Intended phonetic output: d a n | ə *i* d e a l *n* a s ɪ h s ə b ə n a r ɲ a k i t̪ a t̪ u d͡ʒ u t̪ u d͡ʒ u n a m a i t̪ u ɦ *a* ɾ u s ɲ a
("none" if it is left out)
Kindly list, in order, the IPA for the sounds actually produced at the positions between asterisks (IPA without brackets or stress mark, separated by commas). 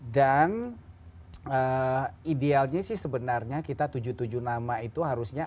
i, ɲ, a